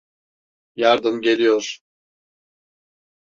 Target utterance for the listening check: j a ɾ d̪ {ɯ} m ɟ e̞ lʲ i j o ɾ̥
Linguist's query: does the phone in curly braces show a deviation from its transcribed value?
no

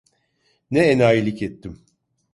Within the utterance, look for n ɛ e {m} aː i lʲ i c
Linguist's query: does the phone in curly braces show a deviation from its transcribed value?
yes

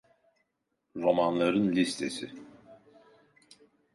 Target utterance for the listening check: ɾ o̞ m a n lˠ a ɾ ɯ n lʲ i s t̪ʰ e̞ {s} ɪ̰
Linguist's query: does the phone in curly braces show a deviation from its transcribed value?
no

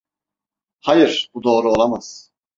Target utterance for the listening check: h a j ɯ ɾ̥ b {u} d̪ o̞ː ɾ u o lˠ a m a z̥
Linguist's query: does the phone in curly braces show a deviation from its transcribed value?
no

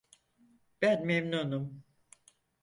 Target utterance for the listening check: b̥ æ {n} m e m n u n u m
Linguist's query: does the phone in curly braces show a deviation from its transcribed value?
no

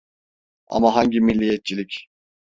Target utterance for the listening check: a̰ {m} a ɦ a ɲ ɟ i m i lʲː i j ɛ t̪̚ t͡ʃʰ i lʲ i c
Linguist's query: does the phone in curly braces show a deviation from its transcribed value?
no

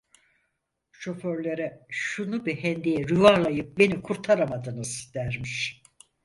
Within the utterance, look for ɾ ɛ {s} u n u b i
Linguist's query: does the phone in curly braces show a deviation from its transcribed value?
yes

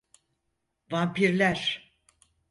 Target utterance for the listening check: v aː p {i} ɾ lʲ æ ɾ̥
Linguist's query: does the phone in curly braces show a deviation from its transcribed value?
no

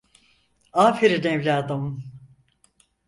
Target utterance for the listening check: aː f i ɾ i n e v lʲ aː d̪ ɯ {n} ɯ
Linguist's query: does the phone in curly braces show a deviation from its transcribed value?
yes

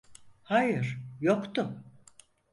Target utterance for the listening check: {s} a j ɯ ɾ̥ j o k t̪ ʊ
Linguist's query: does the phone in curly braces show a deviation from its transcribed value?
yes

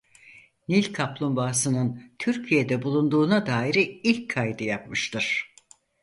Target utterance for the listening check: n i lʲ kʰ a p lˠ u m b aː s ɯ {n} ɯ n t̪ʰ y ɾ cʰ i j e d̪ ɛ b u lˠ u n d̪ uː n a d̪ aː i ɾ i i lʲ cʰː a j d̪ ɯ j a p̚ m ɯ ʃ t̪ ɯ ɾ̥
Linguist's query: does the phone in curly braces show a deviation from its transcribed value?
no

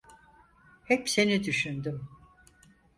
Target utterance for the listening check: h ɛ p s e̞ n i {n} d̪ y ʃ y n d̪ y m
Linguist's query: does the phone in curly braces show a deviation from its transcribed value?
yes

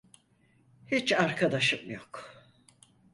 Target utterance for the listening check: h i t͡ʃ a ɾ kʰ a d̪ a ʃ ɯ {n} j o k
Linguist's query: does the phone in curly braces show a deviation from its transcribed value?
yes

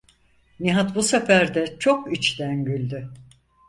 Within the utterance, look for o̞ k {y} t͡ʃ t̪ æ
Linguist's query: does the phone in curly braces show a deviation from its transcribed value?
yes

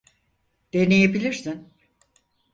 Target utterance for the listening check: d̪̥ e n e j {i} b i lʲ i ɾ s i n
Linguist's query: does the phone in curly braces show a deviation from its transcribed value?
yes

